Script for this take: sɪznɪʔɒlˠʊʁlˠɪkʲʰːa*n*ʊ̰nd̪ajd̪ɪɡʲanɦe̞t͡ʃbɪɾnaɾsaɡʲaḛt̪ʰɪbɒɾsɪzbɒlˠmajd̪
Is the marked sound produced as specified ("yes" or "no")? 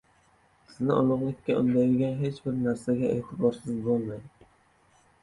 no